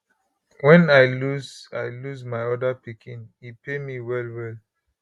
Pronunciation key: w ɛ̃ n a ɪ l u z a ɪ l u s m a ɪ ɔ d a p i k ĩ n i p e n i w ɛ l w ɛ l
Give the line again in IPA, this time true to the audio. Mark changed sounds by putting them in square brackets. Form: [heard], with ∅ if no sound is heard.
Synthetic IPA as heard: w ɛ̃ n a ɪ l u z a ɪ l u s m a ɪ ɔ d a p i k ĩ n i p e [m] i w ɛ l w ɛ l